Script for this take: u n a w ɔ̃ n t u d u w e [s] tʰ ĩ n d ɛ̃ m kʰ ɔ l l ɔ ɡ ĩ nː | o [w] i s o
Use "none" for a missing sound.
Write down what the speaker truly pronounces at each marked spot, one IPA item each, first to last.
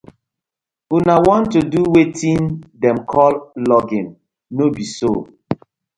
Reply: none, b

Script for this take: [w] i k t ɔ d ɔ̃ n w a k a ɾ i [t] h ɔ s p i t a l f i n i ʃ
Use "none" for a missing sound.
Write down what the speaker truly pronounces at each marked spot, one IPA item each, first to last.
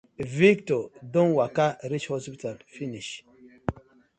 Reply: v, t͡ʃ

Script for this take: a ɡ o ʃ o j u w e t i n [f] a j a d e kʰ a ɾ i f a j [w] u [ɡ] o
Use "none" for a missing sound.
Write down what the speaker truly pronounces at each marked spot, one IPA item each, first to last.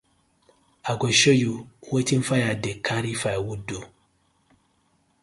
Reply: f, w, d

